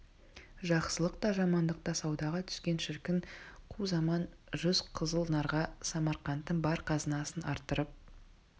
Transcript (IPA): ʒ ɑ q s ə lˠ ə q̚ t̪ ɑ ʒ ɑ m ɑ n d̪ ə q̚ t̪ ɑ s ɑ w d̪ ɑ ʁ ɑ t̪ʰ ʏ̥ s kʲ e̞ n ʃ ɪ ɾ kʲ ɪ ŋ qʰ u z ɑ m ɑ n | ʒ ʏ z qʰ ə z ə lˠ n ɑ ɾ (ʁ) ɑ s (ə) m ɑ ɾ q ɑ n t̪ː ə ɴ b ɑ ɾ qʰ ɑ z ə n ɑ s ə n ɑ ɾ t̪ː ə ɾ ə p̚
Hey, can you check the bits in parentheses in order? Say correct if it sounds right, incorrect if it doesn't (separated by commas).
correct, incorrect